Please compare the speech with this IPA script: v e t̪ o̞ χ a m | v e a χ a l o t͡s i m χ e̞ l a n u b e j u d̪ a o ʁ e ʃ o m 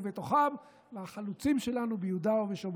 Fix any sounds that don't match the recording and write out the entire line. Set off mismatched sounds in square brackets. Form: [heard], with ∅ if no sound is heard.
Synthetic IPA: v e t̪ o̞ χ a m | v e a χ a l [u] t͡s i m [ʃ] e̞ l a n u b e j u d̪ a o [v] e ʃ o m